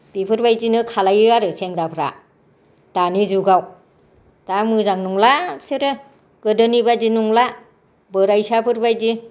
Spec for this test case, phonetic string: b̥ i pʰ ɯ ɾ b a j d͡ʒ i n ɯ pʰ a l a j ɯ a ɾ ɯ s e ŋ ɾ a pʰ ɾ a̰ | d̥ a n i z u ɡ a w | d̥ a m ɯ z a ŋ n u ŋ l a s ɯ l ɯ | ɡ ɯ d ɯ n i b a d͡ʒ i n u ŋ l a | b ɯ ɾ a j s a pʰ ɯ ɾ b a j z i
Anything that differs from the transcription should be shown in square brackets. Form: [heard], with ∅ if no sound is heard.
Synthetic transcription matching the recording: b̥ i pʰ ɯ ɾ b a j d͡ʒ i n ɯ [kʰ] a l a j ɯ a ɾ ɯ s e ŋ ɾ a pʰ ɾ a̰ | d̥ a n i z u ɡ a w | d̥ a m ɯ z a ŋ n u ŋ l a s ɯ [ɾ] ɯ | ɡ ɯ d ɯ n i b a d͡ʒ i n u ŋ l a | b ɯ ɾ a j s a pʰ ɯ ɾ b a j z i